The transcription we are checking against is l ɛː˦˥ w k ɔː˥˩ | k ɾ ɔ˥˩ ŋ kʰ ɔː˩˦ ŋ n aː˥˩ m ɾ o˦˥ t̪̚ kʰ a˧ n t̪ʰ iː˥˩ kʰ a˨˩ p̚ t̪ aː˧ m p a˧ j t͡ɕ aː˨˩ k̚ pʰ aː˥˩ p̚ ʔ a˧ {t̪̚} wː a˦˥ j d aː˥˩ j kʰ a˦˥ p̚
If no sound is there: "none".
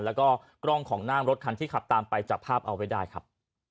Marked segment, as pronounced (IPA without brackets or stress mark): none